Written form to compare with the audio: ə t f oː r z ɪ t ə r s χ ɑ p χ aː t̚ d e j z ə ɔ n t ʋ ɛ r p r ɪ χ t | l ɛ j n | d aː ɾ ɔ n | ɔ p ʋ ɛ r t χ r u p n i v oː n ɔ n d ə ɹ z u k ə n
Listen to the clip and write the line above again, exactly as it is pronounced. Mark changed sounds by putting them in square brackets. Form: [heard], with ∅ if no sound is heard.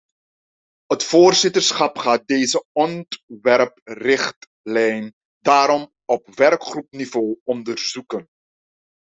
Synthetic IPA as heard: ə t f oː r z ɪ t ə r s χ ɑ p χ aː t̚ d e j z ə ɔ n t ʋ ɛ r p r ɪ χ t | l ɛ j n | d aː ɾ ɔ [m] | ɔ p ʋ ɛ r [k] χ r u p n i v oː [∅] ɔ n d ə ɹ z u k ə n